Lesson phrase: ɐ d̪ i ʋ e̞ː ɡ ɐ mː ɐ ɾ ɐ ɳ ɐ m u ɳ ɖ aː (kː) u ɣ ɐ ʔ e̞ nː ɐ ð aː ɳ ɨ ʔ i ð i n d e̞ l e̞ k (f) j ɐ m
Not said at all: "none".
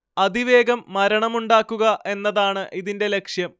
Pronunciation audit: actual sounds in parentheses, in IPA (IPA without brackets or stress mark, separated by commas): kː, ʂ